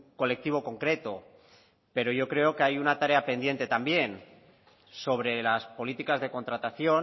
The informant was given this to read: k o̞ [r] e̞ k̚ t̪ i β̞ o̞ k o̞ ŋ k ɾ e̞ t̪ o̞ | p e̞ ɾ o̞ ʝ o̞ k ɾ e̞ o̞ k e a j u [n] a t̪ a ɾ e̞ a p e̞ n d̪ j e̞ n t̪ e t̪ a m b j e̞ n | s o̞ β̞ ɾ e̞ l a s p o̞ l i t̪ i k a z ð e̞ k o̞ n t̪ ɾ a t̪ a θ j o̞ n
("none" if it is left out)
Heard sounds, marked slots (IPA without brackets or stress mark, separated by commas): l, n